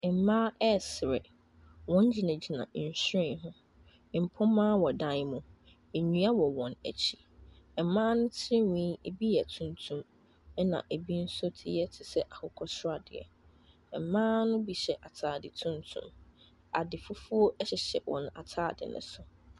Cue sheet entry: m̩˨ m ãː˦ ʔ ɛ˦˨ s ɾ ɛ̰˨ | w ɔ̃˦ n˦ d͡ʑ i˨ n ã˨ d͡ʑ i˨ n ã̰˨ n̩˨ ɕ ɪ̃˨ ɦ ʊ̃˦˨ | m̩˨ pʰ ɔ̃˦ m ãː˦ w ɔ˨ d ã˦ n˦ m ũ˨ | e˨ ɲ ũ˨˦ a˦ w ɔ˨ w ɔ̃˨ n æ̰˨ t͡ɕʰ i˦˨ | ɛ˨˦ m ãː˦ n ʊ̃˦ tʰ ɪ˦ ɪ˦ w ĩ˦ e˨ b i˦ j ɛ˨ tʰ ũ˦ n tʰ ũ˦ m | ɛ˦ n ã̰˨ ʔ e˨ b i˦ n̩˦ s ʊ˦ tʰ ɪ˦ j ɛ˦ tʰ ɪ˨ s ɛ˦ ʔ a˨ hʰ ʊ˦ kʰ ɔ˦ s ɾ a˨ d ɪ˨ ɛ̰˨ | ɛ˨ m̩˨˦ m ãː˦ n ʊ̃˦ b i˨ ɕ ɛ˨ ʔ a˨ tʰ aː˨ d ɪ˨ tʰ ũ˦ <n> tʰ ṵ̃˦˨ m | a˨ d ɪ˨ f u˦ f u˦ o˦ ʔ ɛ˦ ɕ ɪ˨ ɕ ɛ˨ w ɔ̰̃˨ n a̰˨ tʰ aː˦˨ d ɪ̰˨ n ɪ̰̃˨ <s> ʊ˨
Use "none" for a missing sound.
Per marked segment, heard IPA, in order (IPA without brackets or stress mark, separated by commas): n, s